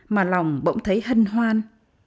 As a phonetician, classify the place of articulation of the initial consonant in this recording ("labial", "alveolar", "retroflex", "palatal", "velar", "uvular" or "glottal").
labial